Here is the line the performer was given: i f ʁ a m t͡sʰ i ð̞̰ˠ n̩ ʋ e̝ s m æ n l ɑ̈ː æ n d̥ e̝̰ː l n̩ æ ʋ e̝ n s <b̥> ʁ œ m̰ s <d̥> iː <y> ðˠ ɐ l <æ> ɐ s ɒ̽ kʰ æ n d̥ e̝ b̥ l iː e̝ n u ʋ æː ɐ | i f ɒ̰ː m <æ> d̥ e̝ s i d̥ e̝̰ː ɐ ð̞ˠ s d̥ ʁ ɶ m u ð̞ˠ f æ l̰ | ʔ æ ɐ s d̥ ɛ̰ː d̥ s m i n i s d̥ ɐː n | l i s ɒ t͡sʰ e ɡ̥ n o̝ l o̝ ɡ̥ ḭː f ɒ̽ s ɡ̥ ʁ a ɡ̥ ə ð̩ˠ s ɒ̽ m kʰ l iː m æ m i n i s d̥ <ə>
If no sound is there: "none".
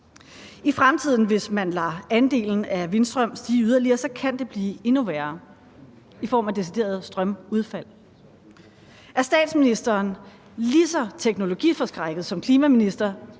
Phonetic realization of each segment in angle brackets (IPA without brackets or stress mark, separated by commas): d̥, d̥, y, i, æ, ɐ